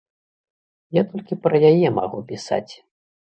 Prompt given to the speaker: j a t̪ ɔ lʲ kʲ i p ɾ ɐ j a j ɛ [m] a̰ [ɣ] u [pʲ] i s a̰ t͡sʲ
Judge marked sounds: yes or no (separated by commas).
yes, yes, yes